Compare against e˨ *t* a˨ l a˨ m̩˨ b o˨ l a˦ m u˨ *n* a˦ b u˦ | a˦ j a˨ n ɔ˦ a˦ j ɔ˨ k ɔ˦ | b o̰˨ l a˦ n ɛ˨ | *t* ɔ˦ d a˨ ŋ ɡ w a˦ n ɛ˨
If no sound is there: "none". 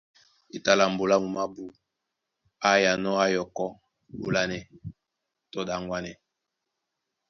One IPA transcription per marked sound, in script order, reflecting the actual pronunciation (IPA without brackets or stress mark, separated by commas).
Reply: t, m, t